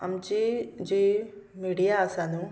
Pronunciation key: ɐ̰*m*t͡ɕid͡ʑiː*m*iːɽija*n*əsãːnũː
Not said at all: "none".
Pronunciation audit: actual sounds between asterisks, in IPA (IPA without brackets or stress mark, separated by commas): m, m, none